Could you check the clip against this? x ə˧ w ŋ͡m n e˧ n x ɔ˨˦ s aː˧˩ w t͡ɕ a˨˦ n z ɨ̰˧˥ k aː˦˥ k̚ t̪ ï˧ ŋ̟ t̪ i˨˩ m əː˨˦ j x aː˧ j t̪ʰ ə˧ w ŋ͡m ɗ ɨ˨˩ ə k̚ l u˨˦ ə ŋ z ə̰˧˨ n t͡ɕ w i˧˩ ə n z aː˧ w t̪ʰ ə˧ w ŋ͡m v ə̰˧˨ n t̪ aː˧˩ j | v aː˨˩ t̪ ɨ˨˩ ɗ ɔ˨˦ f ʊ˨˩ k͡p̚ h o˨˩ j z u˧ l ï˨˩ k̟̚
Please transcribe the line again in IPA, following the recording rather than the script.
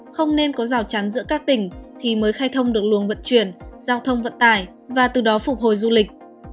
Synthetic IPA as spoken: x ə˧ w ŋ͡m n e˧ n k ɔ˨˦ z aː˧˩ w t͡ɕ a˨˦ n z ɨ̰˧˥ k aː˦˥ k̚ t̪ ï˧˩ ŋ̟ t̪ʰ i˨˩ m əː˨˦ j x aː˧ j t̪ʰ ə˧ w ŋ͡m ɗ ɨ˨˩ ə k̚ l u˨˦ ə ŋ v ə̰˧˨ n t͡ɕ w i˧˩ ə n z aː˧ w t̪ʰ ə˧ w ŋ͡m v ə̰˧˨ n t̪ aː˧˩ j | v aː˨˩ t̪ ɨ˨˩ ɗ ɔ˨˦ f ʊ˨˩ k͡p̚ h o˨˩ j z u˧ l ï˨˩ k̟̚

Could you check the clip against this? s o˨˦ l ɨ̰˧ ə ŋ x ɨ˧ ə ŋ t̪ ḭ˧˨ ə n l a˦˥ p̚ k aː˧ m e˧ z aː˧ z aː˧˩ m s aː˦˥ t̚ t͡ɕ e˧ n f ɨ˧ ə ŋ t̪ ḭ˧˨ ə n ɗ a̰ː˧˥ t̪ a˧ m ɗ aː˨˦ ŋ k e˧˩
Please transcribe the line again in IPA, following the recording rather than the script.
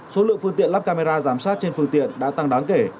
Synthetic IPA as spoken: s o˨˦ l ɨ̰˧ ə ŋ f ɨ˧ ə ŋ t̪ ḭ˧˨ ə n l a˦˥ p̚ k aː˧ m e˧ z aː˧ z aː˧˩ m s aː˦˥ t̚ t͡ɕ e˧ n f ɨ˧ ə ŋ t̪ ḭ˧˨ ə n ɗ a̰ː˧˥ t̪ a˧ ŋ ɗ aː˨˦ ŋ k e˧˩

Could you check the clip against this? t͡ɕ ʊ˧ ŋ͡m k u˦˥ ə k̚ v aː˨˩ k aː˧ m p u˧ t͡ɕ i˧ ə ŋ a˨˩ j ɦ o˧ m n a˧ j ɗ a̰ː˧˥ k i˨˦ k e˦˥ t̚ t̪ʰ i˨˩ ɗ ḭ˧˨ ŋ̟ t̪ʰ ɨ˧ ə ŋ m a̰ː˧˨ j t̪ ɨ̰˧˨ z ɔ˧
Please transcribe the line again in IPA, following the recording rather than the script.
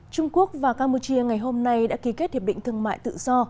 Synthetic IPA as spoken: t͡ɕ ʊ˧ ŋ͡m k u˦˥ ə k̚ v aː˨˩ k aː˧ m p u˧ t͡ɕ i˧ ə ŋ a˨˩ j ɦ o˧ m n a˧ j ɗ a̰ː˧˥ k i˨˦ k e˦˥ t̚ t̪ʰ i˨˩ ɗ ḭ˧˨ ŋ̟ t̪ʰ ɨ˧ ə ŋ m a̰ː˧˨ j t̪ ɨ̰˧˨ z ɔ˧

